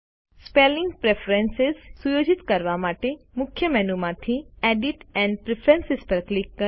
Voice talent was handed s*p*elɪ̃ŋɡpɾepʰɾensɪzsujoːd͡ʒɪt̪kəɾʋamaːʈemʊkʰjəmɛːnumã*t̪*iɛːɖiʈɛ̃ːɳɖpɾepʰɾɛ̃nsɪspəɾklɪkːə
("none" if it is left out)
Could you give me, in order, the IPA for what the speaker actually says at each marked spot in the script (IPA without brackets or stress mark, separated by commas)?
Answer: p, t̪ʰ